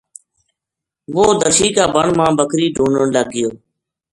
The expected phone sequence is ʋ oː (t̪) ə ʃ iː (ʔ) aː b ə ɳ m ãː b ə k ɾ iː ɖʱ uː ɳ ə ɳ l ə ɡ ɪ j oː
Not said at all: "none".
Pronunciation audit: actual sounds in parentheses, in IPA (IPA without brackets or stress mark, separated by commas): d̪, k